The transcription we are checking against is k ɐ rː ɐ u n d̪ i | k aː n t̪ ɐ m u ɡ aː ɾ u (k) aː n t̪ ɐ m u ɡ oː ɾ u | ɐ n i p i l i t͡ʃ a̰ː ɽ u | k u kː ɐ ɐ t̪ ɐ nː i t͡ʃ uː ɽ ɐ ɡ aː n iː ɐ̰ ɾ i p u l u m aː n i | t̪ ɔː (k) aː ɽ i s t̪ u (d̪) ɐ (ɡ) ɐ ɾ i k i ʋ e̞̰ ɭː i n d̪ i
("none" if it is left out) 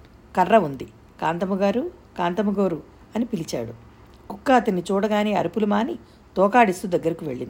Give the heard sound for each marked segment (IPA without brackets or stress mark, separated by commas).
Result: k, k, d̪, ɡː